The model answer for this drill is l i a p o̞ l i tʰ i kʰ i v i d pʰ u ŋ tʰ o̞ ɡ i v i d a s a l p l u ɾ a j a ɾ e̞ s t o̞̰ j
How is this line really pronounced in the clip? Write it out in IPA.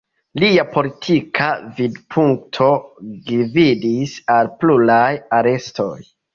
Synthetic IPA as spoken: l i a p o̞ l i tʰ i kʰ a v i d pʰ u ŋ tʰ o̞ ɡ i v i d i s a l p l u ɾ a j a ɾ e̞ s t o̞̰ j